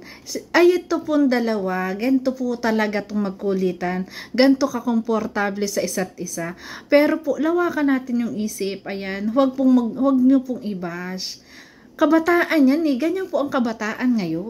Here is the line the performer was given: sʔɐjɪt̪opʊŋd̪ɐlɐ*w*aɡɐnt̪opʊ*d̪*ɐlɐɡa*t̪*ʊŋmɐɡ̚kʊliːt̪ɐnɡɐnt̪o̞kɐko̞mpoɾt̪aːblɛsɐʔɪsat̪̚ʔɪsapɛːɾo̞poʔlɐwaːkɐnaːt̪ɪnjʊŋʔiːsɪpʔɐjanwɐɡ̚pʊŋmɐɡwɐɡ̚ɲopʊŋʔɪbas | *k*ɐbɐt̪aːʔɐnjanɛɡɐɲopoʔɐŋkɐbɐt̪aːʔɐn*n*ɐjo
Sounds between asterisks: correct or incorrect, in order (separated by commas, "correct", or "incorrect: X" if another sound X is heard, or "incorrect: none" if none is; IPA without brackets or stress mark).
correct, incorrect: t̪, correct, correct, incorrect: ŋ